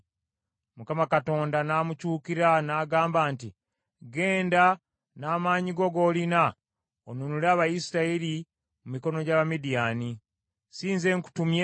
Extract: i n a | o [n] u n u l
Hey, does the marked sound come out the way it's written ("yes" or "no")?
yes